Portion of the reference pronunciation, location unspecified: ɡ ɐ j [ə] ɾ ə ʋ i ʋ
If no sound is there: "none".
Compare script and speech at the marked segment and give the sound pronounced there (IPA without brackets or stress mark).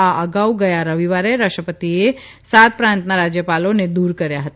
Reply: a